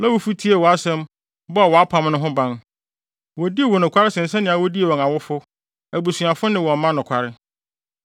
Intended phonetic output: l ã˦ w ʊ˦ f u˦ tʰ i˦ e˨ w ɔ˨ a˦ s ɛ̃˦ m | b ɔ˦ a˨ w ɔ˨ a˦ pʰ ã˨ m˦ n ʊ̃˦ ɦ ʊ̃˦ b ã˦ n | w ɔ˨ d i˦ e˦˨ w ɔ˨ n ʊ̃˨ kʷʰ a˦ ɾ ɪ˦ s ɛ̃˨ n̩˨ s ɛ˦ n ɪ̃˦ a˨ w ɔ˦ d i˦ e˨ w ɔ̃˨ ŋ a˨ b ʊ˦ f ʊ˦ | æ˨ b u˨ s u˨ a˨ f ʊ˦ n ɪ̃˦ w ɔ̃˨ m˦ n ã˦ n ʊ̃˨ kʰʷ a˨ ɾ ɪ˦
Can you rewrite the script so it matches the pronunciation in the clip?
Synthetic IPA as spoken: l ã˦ w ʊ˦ f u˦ tʰ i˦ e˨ w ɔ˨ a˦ s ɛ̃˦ m | b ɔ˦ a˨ w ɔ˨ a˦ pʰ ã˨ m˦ n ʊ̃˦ ɦ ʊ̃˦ b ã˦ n | w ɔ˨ d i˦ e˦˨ w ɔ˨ n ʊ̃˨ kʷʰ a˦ ɾ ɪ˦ s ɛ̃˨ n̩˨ s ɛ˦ n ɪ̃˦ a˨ w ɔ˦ d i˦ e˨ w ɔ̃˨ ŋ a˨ w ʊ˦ f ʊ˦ | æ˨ b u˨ s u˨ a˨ f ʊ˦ n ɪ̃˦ w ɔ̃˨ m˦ m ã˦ n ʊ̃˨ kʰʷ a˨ ɾ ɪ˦